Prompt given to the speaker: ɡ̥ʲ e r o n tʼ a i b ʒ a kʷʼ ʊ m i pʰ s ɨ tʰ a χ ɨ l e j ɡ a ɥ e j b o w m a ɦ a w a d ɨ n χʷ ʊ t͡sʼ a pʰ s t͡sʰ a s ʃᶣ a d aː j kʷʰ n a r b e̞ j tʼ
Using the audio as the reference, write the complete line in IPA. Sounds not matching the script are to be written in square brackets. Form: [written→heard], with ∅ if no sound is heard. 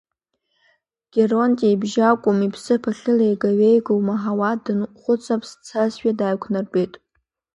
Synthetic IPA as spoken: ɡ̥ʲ e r o n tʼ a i b ʒ a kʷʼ ʊ m i pʰ s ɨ [tʰ→pʰ] a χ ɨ l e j ɡ a ɥ e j [b→ɡ] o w m a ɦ a w a d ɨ n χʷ ʊ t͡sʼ a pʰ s t͡sʰ a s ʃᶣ a d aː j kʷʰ n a r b e̞ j tʼ